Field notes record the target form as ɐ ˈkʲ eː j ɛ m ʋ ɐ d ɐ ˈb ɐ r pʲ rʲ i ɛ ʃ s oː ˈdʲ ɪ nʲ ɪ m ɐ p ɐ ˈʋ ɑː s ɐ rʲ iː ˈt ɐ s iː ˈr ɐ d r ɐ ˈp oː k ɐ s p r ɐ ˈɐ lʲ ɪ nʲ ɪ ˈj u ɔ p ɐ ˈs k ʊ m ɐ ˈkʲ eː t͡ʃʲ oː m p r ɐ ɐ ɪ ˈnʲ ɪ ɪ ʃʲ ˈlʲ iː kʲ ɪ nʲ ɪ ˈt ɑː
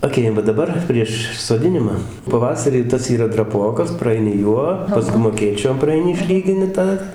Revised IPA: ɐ ˈkʲ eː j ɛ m ʋ ɐ d ɐ ˈb ɐ r pʲ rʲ i ɛ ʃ s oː ˈdʲ ɪ nʲ ɪ m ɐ p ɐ ˈʋ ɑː s ɐ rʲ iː ˈt ɐ s iː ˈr ɐ d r ɐ ˈp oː k ɐ s p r ɐ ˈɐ ɪ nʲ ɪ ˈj u ɔ p ɐ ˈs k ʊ m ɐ ˈkʲ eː t͡ʃʲ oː m p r ɐ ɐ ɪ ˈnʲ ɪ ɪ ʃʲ ˈlʲ iː ɡʲ ɪ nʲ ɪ ˈt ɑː